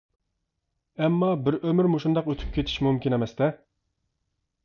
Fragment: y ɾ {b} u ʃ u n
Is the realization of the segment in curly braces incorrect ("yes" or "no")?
yes